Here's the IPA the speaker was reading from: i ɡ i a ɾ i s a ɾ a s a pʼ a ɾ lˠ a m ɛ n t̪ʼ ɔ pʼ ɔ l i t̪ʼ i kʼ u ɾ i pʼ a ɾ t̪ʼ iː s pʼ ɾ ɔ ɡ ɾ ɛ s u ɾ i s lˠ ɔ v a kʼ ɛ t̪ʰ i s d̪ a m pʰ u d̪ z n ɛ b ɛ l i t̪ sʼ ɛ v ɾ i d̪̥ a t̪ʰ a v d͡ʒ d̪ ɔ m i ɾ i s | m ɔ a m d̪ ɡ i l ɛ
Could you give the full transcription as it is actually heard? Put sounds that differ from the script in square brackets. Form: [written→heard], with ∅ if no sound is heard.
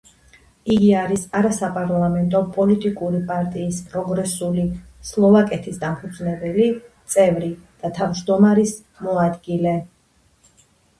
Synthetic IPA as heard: i ɡ i a ɾ i s a ɾ a s a pʼ a ɾ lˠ a m ɛ n t̪ʼ ɔ pʼ ɔ l i t̪ʼ i kʼ u ɾ i pʼ a ɾ t̪ʼ iː s pʼ ɾ ɔ ɡ ɾ ɛ s u [ɾ→l] i s lˠ ɔ v a kʼ ɛ t̪ʰ i s d̪ a m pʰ u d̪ z n ɛ b ɛ l i t̪ sʼ ɛ v ɾ i d̪̥ a t̪ʰ a v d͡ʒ d̪ ɔ m [i→a] ɾ i s | m ɔ a [m→∅] d̪ ɡ i l ɛ

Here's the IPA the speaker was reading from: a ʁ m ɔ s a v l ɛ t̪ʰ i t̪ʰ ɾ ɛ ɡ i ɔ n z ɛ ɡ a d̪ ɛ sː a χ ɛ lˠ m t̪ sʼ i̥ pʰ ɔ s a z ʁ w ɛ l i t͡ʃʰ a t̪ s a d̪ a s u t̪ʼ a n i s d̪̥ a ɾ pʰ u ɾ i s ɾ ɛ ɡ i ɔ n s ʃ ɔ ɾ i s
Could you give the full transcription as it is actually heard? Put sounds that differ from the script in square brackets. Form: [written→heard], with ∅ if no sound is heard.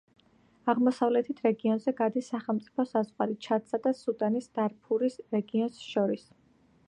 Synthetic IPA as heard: a ʁ m ɔ s a v l ɛ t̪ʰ i t̪ʰ ɾ ɛ ɡ i ɔ n z ɛ ɡ a d̪ [ɛ→i] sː a χ ɛ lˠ m t̪ sʼ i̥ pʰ ɔ s a z ʁ w [ɛ→a] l i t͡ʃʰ a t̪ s a d̪ a s u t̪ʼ a n i s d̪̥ a ɾ pʰ u ɾ i s ɾ ɛ ɡ i ɔ n s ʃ ɔ ɾ i s

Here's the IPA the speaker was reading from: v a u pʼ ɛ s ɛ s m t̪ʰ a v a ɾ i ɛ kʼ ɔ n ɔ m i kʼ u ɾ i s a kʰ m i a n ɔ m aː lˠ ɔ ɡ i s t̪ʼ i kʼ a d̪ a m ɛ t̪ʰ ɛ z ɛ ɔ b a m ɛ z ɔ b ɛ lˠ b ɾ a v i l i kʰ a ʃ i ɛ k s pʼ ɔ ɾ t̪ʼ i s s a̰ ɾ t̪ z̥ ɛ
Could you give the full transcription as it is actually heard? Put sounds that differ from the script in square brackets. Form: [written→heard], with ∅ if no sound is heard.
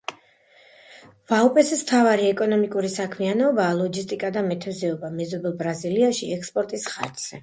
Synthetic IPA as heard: v a u pʼ ɛ s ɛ s m t̪ʰ a v a ɾ i ɛ kʼ ɔ n ɔ m i kʼ u ɾ i s a kʰ m i a n ɔ [m→b] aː lˠ ɔ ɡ i s t̪ʼ i kʼ a d̪ a m ɛ t̪ʰ ɛ z ɛ ɔ b a m ɛ z ɔ b ɛ lˠ b ɾ a [v→z] i l i [kʰ→∅] a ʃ i ɛ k s pʼ ɔ ɾ t̪ʼ i s [s→χ] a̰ ɾ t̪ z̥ ɛ

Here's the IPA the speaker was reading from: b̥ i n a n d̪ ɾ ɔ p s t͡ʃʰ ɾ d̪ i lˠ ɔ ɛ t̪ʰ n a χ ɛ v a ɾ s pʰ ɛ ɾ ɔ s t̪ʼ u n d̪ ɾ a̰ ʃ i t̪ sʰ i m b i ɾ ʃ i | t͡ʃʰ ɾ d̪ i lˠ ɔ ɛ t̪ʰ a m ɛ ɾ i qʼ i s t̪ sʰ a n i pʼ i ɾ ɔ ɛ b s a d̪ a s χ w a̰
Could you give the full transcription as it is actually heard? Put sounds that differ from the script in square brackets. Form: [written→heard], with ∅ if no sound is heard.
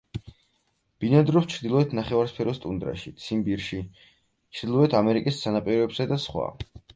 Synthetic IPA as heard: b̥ i n a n d̪ ɾ ɔ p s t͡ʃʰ ɾ d̪ i lˠ ɔ ɛ t̪ʰ n a χ ɛ v a ɾ s pʰ ɛ ɾ ɔ s t̪ʼ u n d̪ ɾ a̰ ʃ i t̪ sʰ i m b i ɾ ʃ i | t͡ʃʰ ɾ d̪ i lˠ ɔ ɛ t̪ʰ a m ɛ ɾ i [qʼ→kʼ] i s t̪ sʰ a n [i→a] pʼ i ɾ ɔ ɛ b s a d̪ a s χ w a̰

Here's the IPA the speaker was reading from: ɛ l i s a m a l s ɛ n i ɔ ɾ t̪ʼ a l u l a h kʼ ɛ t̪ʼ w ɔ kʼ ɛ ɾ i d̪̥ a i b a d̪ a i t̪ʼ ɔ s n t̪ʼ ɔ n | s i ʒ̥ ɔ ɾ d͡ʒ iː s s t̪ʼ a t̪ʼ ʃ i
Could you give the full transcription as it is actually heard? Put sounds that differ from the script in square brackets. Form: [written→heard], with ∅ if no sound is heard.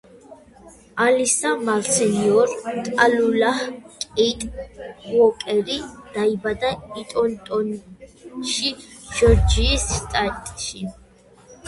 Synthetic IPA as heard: [ɛ→a] l i s a m a l s ɛ n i ɔ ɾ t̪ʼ a l u l a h kʼ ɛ t̪ʼ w ɔ kʼ ɛ ɾ i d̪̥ a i b a d̪ a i t̪ʼ ɔ [s→∅] n t̪ʼ ɔ n | [s→ʃ] i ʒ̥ ɔ ɾ d͡ʒ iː s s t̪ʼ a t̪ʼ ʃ i

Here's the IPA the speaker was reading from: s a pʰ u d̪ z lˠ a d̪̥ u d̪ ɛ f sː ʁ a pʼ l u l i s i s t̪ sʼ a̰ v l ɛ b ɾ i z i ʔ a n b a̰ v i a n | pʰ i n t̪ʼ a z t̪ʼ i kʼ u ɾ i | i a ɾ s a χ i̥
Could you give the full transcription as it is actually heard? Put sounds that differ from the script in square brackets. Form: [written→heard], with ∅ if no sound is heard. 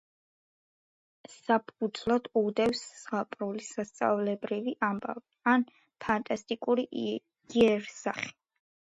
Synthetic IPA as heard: s a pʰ u d̪ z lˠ a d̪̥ u d̪ ɛ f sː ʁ a pʼ [l→ɾ] u l i s [i→a] s t̪ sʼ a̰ v l ɛ b ɾ i [z→v] i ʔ a [n→m] b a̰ v i a n | pʰ [i→a] n t̪ʼ a [z→s] t̪ʼ i kʼ u ɾ i | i [a→ɛ] ɾ s a χ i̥

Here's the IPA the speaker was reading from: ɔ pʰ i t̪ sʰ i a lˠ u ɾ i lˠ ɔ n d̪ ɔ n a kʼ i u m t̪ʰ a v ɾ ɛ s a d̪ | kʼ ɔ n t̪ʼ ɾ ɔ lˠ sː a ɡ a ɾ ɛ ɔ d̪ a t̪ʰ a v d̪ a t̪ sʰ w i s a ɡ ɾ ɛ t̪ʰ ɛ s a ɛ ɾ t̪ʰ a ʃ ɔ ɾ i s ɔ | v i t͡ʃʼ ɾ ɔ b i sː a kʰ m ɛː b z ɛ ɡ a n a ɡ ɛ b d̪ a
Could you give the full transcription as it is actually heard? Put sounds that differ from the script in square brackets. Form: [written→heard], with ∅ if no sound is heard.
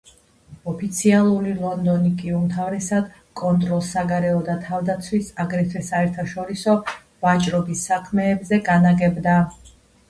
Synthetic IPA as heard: ɔ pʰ i t̪ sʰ i a lˠ u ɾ i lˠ ɔ n d̪ ɔ n [a→i] kʼ i u m t̪ʰ a v ɾ ɛ s a d̪ | kʼ ɔ n t̪ʼ ɾ ɔ lˠ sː a ɡ a ɾ ɛ ɔ d̪ a t̪ʰ a v d̪ a t̪ sʰ w i s a ɡ ɾ ɛ t̪ʰ ɛ s a ɛ ɾ t̪ʰ a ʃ ɔ ɾ i s ɔ | v [i→a] t͡ʃʼ ɾ ɔ b i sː a kʰ m ɛː b z ɛ ɡ a n a ɡ ɛ b d̪ a

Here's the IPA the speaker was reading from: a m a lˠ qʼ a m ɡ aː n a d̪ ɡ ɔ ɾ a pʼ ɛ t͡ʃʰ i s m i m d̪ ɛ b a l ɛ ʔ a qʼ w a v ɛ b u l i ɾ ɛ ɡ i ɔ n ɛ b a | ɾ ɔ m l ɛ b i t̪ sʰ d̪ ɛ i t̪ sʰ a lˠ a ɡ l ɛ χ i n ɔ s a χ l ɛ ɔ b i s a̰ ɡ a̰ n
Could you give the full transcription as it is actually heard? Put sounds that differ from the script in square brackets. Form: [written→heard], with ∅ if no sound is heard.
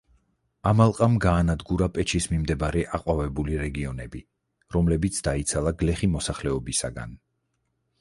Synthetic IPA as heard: a m a lˠ qʼ a m ɡ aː n a d̪ ɡ [ɔ→u] ɾ a pʼ ɛ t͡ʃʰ i s m i m d̪ ɛ b a [l→ɾ] ɛ ʔ a qʼ w a v ɛ b u l i ɾ ɛ ɡ i ɔ n ɛ b [a→i] | ɾ ɔ m l ɛ b i t̪ sʰ d̪ [ɛ→a] i t̪ sʰ a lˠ a ɡ l ɛ χ i [n→m] ɔ s a χ l ɛ ɔ b i s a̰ ɡ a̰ n

